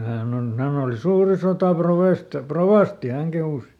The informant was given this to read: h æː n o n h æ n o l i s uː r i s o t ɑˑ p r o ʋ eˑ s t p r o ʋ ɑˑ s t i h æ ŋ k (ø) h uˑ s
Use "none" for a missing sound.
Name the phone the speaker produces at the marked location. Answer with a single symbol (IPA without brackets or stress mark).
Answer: e